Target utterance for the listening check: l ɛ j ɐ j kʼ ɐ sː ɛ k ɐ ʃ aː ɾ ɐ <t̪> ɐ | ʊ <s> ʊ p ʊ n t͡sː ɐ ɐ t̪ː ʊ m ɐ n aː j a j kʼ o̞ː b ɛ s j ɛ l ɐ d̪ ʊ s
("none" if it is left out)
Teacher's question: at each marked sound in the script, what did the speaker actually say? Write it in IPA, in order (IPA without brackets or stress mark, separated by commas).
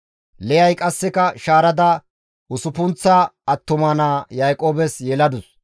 d̪, s